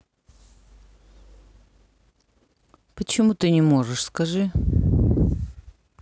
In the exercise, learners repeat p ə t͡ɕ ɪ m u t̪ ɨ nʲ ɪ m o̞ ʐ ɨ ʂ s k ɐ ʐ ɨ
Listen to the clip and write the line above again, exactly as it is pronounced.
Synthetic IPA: p ə t͡ɕ ɪ m u t̪ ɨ nʲ ɪ m o̞ ʐ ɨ ʂ s k ɐ ʐ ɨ